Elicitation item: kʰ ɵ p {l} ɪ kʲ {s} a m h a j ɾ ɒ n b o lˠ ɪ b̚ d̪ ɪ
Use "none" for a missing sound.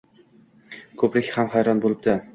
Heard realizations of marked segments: ɾ, h

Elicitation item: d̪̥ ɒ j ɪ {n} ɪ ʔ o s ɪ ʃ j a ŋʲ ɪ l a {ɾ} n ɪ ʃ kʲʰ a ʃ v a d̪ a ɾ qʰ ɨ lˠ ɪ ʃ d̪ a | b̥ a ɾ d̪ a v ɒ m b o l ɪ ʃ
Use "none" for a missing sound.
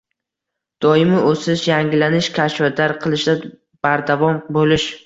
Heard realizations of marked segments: m, none

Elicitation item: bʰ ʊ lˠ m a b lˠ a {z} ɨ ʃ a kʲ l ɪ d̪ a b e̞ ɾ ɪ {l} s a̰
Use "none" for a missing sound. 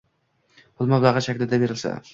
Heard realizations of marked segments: ʁ, l

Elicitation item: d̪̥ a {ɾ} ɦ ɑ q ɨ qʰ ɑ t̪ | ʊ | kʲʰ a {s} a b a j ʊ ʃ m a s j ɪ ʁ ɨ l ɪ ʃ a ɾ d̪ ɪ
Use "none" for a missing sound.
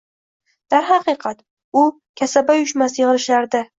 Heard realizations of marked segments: ɾ, s

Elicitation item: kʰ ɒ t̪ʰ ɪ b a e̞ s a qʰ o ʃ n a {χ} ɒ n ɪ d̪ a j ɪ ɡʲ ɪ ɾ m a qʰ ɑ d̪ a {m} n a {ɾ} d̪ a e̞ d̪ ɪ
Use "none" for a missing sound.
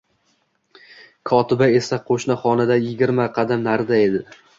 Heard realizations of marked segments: χ, m, ɾ

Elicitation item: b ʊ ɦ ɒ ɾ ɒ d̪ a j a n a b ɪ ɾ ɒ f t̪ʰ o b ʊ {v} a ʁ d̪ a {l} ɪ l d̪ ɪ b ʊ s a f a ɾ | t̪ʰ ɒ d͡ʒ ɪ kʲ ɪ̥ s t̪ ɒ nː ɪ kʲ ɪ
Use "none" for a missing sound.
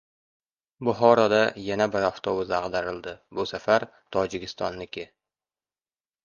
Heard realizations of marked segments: z, ɾ

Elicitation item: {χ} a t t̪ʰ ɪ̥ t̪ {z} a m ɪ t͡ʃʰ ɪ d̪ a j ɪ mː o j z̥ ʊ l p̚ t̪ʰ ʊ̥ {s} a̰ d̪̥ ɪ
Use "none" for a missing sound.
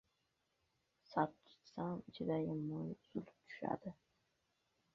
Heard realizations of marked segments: s, s, ʃ

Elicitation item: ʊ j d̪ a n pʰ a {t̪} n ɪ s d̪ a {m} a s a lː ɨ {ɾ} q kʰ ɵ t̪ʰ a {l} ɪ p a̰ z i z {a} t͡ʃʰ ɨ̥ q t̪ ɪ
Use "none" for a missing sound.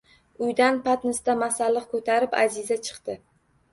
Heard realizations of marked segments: t̪, m, none, ɾ, a

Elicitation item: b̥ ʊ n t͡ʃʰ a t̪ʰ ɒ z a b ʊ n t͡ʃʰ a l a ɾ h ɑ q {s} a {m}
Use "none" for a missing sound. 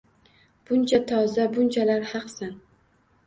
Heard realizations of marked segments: s, n

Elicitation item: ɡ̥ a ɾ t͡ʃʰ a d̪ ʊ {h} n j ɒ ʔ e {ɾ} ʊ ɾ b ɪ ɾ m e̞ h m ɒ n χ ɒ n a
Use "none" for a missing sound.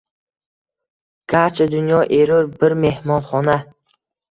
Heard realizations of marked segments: none, ɾ

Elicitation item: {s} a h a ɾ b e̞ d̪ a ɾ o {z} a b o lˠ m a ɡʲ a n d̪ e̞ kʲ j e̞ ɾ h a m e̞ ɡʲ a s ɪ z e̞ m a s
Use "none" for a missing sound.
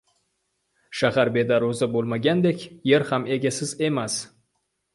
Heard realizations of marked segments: ʃ, z

